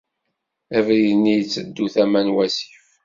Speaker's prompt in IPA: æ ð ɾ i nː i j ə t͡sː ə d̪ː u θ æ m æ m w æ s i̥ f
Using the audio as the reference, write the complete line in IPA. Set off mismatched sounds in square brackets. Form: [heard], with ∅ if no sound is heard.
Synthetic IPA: æ [v] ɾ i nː i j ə t͡sː ə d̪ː u θ æ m æ [n] w æ s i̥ f